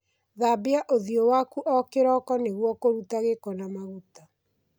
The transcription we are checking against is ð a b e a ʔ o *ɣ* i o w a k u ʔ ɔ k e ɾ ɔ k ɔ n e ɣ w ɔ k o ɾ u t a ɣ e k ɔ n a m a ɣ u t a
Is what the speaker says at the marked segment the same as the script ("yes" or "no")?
no